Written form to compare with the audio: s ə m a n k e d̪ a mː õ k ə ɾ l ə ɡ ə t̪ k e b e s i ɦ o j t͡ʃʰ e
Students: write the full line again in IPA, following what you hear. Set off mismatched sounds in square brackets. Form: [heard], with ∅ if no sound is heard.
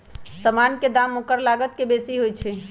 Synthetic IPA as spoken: s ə m a n k e d̪ a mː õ k ə ɾ l [a] ɡ ə t̪ k e b e s i ɦ o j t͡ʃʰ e